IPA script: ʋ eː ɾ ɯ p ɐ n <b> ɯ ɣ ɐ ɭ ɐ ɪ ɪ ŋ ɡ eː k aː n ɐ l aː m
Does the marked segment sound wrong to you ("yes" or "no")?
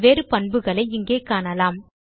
no